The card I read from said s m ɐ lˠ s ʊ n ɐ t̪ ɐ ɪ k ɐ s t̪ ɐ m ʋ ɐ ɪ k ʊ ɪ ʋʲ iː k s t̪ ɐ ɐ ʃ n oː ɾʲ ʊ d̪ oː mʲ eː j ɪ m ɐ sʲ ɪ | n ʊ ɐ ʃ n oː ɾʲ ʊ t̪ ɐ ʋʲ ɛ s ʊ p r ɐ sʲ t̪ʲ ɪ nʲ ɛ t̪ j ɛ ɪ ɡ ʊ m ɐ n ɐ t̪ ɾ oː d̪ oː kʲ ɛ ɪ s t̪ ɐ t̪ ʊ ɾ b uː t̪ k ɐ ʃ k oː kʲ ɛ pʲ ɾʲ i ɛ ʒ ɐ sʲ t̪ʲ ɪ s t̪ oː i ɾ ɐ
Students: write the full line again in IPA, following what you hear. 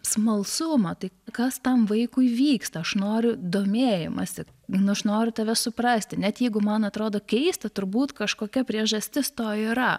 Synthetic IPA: s m ɐ lˠ s ʊ m ɐ t̪ ɐ ɪ k ɐ s t̪ ɐ m ʋ ɐ ɪ k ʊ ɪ ʋʲ iː k s t̪ ɐ ɐ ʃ n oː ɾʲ ʊ d̪ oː mʲ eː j ɪ m ɐ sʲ ɪ | n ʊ ɐ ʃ n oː ɾʲ ʊ t̪ ɐ ʋʲ ɛ s ʊ p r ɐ sʲ t̪ʲ ɪ nʲ ɛ t̪ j ɛ ɪ ɡ ʊ m ɐ n ɐ t̪ ɾ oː d̪ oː kʲ ɛ ɪ s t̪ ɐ t̪ ʊ ɾ b uː t̪ k ɐ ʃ k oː kʲ ɛ pʲ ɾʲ i ɛ ʒ ɐ sʲ t̪ʲ ɪ s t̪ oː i ɾ ɐ